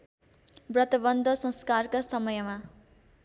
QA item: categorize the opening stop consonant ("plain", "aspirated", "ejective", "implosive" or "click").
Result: plain